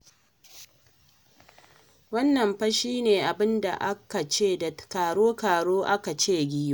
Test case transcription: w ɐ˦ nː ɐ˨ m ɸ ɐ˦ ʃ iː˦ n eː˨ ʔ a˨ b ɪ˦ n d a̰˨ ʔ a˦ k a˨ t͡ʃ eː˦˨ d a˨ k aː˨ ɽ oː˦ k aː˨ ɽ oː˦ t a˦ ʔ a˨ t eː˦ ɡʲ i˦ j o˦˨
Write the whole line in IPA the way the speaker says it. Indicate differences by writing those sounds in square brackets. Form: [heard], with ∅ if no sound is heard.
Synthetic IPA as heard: w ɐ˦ nː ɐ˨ m ɸ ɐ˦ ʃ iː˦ n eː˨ ʔ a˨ b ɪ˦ n d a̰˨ ʔ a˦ k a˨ t͡ʃ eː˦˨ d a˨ k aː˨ ɽ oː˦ k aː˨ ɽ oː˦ [ʔ] a˦ [k] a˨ [t͡ʃ] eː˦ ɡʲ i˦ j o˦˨